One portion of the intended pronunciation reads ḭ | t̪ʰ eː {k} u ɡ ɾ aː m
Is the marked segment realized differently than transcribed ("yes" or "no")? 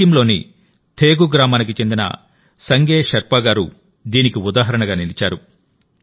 yes